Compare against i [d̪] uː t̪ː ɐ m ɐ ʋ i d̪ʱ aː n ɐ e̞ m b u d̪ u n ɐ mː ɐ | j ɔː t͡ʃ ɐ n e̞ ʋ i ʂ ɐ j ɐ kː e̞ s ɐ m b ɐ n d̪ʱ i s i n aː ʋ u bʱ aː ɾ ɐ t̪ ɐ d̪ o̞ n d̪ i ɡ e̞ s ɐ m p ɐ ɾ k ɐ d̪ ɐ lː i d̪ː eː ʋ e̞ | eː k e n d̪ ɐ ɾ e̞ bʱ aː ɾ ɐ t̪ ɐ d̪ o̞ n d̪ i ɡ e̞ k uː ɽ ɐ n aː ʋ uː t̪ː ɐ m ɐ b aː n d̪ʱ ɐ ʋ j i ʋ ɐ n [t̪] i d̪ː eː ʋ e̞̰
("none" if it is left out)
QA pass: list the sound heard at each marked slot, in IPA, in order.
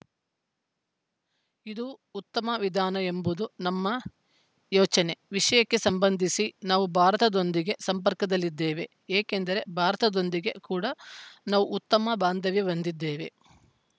d̪, d̪

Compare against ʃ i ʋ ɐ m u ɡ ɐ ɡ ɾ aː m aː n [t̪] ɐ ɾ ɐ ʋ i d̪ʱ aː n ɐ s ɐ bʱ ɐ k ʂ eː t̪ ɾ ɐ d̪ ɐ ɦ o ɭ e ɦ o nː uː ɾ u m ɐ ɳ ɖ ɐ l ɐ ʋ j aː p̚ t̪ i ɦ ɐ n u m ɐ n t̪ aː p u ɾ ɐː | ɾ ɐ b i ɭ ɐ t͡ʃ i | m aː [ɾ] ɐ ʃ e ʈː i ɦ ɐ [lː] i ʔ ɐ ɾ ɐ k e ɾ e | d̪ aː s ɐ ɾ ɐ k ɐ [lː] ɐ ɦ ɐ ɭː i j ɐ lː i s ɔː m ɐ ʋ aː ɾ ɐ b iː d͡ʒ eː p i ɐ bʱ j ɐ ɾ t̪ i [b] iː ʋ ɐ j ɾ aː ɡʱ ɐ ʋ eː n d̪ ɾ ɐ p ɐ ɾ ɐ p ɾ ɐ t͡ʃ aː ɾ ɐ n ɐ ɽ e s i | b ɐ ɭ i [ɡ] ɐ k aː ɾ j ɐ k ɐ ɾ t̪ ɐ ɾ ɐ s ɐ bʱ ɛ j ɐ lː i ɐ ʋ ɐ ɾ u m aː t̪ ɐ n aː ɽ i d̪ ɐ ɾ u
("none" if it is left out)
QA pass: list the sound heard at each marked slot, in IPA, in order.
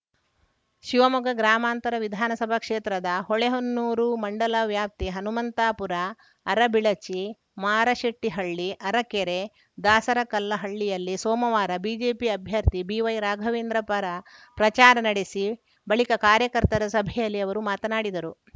t̪, ɾ, ɭː, lː, b, k

